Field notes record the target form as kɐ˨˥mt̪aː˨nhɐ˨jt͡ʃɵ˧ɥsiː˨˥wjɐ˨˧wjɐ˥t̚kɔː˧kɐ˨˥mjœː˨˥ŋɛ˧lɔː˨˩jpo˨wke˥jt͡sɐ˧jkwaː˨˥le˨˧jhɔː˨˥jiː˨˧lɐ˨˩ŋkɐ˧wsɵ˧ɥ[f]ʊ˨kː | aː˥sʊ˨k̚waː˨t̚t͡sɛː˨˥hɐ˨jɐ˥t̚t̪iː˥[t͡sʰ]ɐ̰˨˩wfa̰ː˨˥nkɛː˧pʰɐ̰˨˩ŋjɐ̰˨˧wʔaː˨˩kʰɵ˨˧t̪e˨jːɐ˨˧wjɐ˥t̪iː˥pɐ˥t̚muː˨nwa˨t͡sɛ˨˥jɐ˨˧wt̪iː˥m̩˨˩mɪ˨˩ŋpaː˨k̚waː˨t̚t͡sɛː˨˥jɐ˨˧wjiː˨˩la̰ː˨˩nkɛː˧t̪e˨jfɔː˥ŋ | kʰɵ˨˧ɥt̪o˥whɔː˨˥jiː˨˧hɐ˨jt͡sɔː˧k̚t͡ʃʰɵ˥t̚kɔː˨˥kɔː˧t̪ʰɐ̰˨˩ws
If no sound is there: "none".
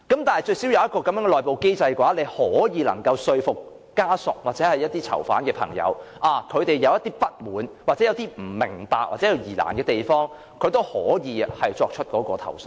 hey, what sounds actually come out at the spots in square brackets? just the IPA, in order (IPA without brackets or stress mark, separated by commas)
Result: f, t͡sʰ